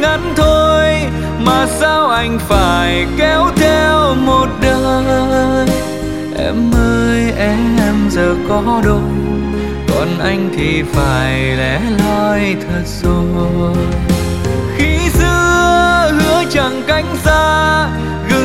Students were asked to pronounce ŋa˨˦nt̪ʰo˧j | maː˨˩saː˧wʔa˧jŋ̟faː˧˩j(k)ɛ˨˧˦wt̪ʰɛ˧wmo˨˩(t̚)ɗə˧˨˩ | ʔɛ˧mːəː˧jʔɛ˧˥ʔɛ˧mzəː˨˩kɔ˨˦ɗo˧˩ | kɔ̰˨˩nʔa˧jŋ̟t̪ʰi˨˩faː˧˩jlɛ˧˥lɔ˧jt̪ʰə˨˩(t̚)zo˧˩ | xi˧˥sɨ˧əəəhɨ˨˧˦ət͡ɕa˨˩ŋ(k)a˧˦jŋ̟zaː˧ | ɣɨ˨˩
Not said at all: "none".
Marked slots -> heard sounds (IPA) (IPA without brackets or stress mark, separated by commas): k, t̚, t̚, k